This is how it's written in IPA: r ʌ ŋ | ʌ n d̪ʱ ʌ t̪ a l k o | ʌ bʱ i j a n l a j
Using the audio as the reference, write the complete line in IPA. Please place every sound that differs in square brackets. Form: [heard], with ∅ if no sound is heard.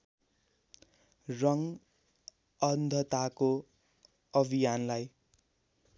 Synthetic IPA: r ʌ ŋ | ʌ n d̪ʱ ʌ t̪ a [∅] k o | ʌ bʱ i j a n l a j